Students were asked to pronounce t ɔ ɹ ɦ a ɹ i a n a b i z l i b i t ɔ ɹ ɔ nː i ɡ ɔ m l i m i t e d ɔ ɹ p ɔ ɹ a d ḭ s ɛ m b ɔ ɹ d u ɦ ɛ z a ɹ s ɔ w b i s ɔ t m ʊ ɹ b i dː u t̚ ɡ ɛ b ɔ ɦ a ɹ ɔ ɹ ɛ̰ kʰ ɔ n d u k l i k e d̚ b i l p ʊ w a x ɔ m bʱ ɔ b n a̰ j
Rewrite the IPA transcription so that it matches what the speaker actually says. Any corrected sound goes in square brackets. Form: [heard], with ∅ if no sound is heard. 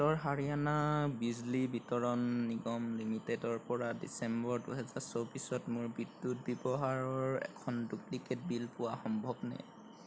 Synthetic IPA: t ɔ ɹ ɦ a ɹ i a n a b i z l i b i t ɔ ɹ ɔ nː i ɡ ɔ m l i m i t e d ɔ ɹ p ɔ ɹ a d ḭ s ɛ m b ɔ ɹ d u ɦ ɛ z a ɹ s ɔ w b i s ɔ t m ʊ ɹ b i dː u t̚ [b] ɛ b ɔ ɦ a ɹ ɔ ɹ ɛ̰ kʰ ɔ n d u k l i k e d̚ b i l p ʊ w a x ɔ m bʱ ɔ b n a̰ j